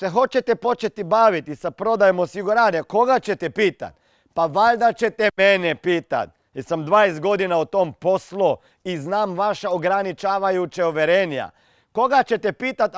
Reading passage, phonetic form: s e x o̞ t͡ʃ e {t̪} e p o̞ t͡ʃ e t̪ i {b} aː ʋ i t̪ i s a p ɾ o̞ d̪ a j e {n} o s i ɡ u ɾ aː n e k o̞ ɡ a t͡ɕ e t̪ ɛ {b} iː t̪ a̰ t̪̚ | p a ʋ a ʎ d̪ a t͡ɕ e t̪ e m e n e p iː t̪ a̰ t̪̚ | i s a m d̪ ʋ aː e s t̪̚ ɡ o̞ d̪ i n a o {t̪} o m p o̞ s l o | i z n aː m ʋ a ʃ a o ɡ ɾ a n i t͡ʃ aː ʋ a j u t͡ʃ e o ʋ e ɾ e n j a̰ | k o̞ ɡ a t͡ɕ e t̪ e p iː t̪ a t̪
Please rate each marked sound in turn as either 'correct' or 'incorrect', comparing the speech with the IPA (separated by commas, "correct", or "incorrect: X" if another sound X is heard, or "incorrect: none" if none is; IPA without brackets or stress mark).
correct, correct, incorrect: m, incorrect: p, correct